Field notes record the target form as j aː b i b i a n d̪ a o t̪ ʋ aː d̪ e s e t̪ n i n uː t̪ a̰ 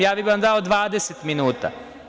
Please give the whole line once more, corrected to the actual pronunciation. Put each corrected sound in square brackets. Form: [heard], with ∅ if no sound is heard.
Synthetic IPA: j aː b i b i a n d̪ a o [d̪] ʋ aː d̪ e s e t̪ [m] i n uː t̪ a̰